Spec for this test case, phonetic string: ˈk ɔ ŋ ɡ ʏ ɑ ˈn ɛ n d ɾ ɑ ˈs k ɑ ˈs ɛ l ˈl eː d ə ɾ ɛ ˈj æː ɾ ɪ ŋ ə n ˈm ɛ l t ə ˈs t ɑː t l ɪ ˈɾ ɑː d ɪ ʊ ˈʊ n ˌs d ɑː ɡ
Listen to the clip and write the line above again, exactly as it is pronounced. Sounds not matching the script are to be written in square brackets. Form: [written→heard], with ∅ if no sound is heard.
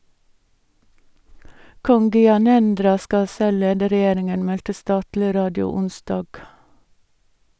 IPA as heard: ˈk ɔ ŋ ɡ ʏ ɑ ˈn ɛ n d ɾ ɑ ˈs k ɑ ˈs ɛ l ˈl eː d ə ɾ ɛ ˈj [æː→eː] ɾ ɪ ŋ ə n ˈm ɛ l t ə ˈs t ɑː t l ɪ ˈɾ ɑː d ɪ ʊ ˈʊ n ˌs d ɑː ɡ